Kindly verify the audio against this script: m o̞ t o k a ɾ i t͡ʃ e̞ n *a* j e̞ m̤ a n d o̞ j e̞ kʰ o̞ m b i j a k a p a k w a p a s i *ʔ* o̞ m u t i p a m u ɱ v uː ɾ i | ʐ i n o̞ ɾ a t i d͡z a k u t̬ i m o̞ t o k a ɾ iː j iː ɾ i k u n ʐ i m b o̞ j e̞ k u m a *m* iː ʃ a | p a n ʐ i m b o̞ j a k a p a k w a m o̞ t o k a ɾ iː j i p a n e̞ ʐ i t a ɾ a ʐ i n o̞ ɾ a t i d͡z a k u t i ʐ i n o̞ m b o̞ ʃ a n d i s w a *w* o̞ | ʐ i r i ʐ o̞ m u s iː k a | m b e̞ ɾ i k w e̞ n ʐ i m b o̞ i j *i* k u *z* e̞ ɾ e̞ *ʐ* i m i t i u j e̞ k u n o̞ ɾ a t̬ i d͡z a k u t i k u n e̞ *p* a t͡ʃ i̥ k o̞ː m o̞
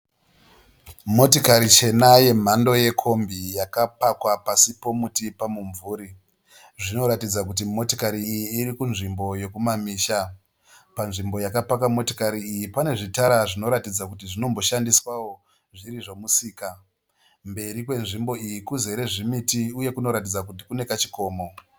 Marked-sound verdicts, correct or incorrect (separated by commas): correct, incorrect, correct, correct, correct, correct, correct, incorrect